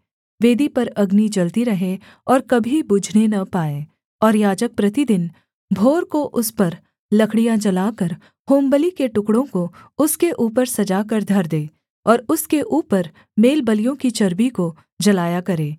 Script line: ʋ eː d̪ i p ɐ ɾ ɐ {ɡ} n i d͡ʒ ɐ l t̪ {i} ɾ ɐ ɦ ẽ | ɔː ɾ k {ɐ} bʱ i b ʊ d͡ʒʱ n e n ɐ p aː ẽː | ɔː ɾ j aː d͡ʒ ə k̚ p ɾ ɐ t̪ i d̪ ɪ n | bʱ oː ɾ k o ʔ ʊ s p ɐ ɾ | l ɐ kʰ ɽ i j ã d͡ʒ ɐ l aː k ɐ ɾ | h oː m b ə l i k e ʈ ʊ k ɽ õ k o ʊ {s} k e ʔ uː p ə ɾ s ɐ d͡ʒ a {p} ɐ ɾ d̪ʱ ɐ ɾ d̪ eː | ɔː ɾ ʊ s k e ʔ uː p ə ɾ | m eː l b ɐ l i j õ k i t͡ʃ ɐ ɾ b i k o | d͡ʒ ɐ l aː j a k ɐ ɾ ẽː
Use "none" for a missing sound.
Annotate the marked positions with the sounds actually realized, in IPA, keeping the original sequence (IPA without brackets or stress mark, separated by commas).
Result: ɡ, i, ɐ, s, k